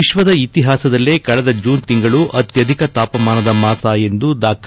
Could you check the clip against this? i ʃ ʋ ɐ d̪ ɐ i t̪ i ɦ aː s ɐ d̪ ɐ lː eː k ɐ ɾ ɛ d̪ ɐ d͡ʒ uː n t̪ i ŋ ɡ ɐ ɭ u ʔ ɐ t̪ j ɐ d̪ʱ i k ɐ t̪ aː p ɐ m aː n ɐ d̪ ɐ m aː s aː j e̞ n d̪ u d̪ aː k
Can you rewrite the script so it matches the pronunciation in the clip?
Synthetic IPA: i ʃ ʋ ɐ d̪ ɐ i t̪ i ɦ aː s ɐ d̪ ɐ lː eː k ɐ ɭ ɛ d̪ ɐ d͡ʒ uː n t̪ i ŋ ɡ ɐ ɭ u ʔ ɐ t̪ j ɐ d̪ʱ i k ɐ t̪ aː p ɐ m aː n ɐ d̪ ɐ m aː s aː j e̞ n d̪ u d̪ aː k

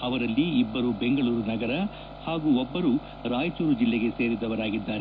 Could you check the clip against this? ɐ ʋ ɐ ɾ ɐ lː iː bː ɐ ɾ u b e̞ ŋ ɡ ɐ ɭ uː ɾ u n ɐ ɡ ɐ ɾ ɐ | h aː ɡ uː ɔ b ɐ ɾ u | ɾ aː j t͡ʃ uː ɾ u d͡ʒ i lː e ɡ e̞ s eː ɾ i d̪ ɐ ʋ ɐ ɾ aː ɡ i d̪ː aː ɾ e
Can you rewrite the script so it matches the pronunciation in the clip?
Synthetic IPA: ɐ ʋ ɐ ɾ ɐ lː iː bː ɐ ɾ u b e̞ ŋ ɡ ɐ ɭ uː ɾ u n ɐ ɡ ɐ ɾ ɐ | h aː ɡ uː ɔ bː ɐ ɾ u | ɾ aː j t͡ʃ uː ɾ u d͡ʒ i lː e ɡ e̞ s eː ɾ i d̪ ɐ ʋ ɐ ɾ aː ɡ i d̪ː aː ɾ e

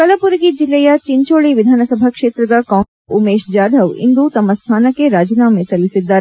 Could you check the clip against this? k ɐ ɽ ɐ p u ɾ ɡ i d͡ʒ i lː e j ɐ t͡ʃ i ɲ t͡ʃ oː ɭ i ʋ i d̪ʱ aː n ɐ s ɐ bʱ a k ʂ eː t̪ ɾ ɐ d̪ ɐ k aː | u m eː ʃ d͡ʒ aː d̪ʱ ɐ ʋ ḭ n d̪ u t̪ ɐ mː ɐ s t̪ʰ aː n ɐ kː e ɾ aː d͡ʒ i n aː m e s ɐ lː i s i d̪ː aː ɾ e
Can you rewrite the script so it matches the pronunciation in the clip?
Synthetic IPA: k ɐ l ɐ p u ɾ ɡ i d͡ʒ i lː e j ɐ t͡ʃ i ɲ t͡ʃ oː ɭ i ʋ i d̪ʱ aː n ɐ s ɐ bʱ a k ʂ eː t̪ ɾ ɐ d̪ ɐ k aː | u m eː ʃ d͡ʒ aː d̪ʱ ɐ ʋ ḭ n d̪ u t̪ ɐ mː ɐ s t̪ʰ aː n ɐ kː e ɾ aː d͡ʒ i n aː m e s ɐ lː i s i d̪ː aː ɾ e

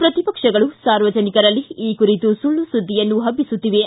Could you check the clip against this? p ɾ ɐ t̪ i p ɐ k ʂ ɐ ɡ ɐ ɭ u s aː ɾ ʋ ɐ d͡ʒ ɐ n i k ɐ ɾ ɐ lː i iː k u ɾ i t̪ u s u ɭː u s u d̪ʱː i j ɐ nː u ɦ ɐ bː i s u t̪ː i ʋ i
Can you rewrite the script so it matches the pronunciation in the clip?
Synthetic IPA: p ɾ ɐ t̪ i p ɐ k ʂ ɐ ɡ ɐ ɭ u s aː ɾ ʋ ɐ d͡ʒ ɐ n i k ɐ ɾ ɐ lː i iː k u ɾ i t̪ u s u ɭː u s u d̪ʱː i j ɐ nː u ɦ ɐ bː i s u t̪ː i ʋ e

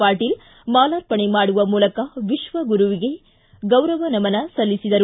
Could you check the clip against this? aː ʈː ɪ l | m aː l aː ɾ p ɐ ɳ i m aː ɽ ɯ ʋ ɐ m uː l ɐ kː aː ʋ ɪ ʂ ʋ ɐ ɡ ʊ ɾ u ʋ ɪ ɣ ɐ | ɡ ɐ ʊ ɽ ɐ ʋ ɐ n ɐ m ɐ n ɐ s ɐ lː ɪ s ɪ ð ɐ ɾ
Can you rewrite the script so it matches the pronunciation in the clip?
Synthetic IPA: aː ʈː ɪ l | m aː l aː ɾ p ɐ ɳ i m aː ɽ ɯ ʋ ɐ m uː l ɐ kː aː ʋ ɪ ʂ ʋ ɐ ɡ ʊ ɾ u ʋ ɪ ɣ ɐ | ɡ ɐ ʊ ɾ ɐ ʋ ɐ n ɐ m ɐ n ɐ s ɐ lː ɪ s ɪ ð ɐ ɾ

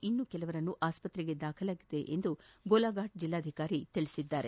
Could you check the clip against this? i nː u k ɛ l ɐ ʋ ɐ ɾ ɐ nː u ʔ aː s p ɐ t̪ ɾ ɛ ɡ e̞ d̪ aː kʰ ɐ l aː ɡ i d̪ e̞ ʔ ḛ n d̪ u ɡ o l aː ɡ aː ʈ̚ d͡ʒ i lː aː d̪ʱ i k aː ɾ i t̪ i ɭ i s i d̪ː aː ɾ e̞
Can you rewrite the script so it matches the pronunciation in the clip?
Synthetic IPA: i nː u k ɛ l ɐ ʋ ɐ ɾ ɐ nː u ʔ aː s p ɐ t̪ ɾ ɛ ɡ e̞ d̪ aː kʰ ɐ l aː ɡ i d̪ e̞ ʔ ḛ n d̪ u ɡ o l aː ɡ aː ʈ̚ d͡ʒ i lː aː d̪ʱ i k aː ɾ i t̪ i ɭ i s i d̪ː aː ɾ e̞

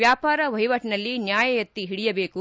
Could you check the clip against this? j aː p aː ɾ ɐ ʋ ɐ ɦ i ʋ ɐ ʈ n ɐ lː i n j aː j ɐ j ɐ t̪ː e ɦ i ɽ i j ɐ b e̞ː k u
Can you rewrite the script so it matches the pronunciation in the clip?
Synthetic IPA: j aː p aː ɾ ɐ ʋ ɐ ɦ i ʋ ɐ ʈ n ɐ lː i n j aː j ɐ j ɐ t̪ː i ɦ i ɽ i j ɐ b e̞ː k u

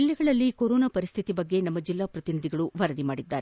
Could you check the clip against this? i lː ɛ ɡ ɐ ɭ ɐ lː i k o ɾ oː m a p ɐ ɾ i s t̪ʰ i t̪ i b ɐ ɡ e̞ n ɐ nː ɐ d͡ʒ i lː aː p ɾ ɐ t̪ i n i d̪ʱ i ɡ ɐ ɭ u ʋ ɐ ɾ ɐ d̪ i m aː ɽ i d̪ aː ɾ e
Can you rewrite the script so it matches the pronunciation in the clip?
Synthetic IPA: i lː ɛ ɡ ɐ ɭ ɐ lː i k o ɾ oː n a p ɐ ɾ i s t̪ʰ i t̪ i b ɐ ɡː e̞ n ɐ mː ɐ d͡ʒ i lː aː p ɾ ɐ t̪ i n i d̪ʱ i ɡ ɐ ɭ u ʋ ɐ ɾ ɐ d̪ i m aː ɽ i d̪ː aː ɾ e

